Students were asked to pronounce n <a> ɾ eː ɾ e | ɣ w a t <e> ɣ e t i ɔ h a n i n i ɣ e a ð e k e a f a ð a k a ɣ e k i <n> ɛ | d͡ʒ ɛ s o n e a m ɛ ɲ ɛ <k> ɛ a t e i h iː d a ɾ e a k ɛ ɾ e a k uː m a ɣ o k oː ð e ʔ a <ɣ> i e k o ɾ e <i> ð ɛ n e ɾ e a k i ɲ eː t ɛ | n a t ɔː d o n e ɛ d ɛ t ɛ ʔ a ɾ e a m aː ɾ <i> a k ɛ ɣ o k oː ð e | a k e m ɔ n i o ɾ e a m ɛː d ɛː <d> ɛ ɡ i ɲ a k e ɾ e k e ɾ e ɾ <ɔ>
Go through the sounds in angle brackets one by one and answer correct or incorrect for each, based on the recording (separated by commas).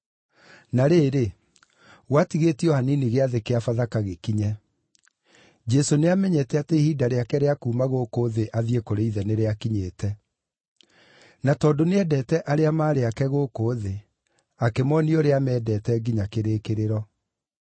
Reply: correct, incorrect, incorrect, incorrect, incorrect, correct, incorrect, incorrect, correct